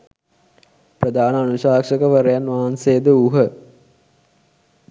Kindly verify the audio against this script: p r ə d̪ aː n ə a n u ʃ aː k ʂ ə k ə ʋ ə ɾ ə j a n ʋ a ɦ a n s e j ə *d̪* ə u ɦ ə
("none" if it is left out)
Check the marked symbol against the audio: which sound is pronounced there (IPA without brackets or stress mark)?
d̪